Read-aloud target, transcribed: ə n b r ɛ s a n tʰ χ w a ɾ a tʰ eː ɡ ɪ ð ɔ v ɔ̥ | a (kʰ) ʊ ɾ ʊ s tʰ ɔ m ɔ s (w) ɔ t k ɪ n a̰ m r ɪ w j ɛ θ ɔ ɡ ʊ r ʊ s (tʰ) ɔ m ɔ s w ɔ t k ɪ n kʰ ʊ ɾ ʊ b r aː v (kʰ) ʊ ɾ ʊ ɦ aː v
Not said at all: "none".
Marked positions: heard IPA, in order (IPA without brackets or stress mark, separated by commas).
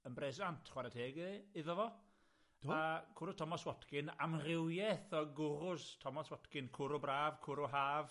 kʰ, w, tʰ, kʰ